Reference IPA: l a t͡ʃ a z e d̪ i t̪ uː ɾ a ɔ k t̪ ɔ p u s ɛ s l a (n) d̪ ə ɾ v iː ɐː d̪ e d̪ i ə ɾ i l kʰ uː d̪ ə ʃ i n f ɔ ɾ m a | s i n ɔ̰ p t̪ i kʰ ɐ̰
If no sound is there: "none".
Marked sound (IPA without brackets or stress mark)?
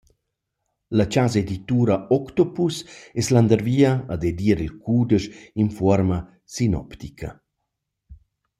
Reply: n